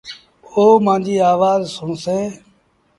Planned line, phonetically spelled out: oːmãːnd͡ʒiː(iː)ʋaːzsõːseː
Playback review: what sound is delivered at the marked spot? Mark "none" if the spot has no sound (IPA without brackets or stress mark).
aː